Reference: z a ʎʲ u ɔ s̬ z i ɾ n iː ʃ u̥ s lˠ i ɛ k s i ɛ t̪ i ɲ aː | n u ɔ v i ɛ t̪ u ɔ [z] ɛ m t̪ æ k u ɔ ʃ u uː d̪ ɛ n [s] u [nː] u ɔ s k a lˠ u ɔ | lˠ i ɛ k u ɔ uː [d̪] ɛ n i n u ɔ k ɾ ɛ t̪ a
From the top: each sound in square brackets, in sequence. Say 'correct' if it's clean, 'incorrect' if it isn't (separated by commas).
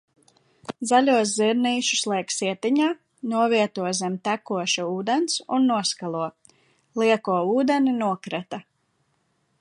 correct, correct, correct, correct